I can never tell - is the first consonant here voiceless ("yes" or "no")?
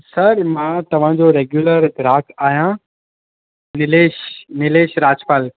yes